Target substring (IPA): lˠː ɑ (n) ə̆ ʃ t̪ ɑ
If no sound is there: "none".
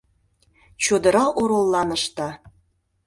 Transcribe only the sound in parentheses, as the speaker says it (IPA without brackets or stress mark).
n